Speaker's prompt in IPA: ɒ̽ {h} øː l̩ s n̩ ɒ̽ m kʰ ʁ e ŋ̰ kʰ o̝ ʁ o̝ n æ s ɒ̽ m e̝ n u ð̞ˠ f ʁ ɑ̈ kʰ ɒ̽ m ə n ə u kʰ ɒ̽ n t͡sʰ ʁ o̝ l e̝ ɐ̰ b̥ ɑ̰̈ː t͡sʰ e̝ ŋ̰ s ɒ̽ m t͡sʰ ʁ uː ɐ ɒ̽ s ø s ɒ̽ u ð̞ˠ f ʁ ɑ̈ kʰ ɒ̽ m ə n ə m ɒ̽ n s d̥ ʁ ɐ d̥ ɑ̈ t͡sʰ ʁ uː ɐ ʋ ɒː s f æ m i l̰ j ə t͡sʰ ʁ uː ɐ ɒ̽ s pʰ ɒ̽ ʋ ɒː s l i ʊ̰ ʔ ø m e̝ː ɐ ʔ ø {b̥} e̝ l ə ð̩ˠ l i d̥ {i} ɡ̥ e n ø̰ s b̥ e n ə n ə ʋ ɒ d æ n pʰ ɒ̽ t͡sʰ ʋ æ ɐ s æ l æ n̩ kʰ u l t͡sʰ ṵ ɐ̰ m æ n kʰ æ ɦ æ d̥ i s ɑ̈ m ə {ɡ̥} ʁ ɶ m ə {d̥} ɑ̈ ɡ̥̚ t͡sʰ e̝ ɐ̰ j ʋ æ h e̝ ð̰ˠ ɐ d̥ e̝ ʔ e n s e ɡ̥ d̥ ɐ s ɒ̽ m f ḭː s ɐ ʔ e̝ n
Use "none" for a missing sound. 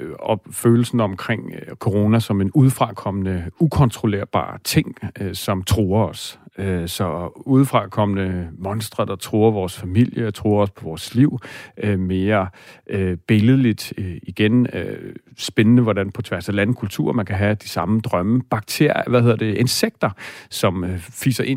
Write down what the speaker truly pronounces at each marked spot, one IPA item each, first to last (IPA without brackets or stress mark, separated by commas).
f, b̥, i, d̥, b̥